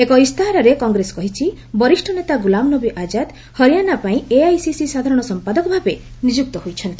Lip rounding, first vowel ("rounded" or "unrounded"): unrounded